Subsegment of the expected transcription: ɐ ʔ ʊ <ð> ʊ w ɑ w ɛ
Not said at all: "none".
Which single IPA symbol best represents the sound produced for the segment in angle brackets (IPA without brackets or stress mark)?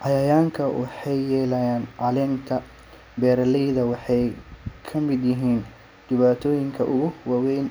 ɣ